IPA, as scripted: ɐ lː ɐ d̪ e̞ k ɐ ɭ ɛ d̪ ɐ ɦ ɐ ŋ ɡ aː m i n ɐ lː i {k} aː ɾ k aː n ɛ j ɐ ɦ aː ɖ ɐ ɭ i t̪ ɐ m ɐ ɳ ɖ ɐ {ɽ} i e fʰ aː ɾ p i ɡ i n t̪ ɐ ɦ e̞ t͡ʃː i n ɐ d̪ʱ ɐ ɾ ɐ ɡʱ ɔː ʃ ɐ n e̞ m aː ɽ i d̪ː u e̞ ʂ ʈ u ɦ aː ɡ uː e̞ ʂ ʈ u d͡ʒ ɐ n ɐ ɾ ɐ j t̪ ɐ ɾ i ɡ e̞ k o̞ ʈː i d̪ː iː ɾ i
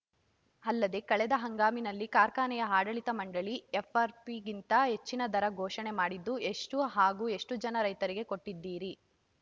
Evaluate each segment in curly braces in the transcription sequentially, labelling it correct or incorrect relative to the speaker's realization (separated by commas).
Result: correct, incorrect